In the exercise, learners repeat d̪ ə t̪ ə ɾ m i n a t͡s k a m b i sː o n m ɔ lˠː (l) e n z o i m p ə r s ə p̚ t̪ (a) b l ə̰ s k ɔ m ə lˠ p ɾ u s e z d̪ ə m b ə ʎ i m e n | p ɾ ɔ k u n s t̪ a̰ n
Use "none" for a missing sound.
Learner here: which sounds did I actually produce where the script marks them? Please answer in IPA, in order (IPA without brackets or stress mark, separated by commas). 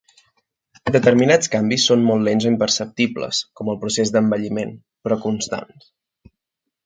l, i